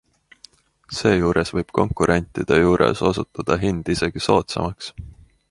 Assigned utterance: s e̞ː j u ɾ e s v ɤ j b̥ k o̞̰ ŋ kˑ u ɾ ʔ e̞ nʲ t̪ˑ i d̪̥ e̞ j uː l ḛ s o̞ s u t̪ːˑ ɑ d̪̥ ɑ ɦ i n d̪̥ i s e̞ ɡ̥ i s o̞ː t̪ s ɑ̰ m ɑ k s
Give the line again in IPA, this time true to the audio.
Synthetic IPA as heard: s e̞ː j uː ɾ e s v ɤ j b̥ k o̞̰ ŋ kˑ u ɾ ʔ e̞ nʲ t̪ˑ i d̪̥ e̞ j uː ɾ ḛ s o̞ s u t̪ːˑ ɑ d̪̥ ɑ ɦ i n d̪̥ i s e̞ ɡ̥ i s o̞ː t̪ s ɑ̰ m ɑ k s